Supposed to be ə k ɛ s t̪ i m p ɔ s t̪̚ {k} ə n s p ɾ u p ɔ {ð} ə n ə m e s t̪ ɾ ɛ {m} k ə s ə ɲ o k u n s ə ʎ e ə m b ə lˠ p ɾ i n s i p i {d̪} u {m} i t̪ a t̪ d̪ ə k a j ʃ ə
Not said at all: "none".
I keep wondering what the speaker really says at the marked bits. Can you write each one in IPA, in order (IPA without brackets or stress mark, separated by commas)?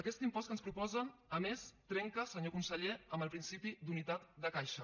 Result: k, z, ŋ, d̪, n